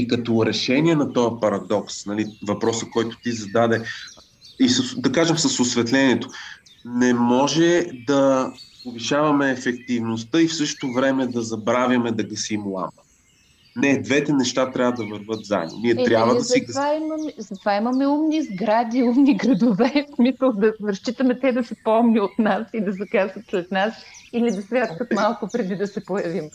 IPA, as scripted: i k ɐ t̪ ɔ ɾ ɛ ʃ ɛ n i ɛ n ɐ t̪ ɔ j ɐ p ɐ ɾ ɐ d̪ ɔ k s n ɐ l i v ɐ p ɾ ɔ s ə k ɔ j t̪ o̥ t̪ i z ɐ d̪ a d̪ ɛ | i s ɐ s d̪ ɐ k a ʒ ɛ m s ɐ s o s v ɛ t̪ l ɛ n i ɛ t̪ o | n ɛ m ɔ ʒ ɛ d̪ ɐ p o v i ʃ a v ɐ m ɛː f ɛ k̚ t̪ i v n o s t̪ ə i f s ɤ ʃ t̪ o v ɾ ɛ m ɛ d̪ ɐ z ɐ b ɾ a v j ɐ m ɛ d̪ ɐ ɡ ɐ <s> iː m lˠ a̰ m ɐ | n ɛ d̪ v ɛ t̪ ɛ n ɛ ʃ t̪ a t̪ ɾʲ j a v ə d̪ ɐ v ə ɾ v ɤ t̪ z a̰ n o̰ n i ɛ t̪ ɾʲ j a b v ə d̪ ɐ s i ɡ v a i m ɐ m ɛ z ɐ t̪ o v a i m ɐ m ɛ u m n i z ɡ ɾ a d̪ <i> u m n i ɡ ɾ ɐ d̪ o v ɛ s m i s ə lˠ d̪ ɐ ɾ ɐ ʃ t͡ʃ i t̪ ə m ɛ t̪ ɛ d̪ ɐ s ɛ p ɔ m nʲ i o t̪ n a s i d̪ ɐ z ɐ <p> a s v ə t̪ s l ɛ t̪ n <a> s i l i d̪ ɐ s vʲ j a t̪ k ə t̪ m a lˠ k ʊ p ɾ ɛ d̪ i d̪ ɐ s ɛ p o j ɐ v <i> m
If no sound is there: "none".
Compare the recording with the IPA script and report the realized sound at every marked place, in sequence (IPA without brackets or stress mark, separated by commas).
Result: s, i, k, a, i